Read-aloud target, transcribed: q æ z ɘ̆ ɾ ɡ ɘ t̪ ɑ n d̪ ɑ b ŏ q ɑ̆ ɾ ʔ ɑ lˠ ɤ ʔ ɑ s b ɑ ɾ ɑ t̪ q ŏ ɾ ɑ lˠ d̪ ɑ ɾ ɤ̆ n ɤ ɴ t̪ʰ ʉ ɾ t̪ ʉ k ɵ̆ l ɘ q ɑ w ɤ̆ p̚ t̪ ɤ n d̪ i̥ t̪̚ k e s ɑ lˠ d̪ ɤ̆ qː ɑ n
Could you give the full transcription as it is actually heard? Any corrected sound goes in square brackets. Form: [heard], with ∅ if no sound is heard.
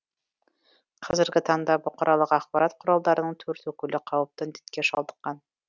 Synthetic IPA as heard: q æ z ɘ̆ ɾ ɡ ɘ t̪ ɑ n d̪ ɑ b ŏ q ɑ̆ ɾ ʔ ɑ lˠ ɤ [q] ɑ [χ] b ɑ ɾ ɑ t̪ q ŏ ɾ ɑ lˠ d̪ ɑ ɾ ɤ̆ n ɤ ɴ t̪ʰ ʉ ɾ t̪ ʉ k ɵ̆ l ɘ q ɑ w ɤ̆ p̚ t̪ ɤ n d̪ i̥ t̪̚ k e [ʃ] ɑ lˠ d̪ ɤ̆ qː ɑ n